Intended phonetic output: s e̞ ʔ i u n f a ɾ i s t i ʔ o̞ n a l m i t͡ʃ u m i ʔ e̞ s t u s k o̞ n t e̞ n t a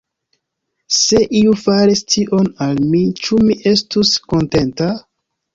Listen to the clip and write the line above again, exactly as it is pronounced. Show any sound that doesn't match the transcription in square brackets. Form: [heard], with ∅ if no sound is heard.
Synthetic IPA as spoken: s e̞ ʔ i u [∅] f a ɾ i s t i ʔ o̞ n a l m i t͡ʃ u m i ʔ e̞ s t u s k o̞ n t e̞ n t a